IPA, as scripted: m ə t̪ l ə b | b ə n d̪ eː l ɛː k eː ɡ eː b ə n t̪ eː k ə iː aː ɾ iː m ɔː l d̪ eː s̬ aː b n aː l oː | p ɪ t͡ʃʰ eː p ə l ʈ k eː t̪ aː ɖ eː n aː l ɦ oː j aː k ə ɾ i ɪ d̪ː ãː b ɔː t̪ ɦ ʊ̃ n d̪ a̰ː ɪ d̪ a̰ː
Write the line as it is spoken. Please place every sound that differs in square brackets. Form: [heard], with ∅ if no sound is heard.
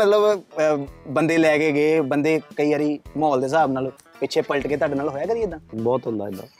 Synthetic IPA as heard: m ə t̪ l ə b | b ə n d̪ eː l ɛː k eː ɡ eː b ə n [d̪] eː k ə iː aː ɾ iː m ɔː l d̪ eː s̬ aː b n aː l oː | p ɪ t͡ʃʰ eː p ə l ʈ k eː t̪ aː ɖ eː n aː l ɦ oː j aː k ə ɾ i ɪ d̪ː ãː b ɔː t̪ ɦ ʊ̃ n d̪ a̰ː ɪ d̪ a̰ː